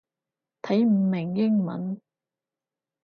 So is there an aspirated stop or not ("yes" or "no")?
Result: yes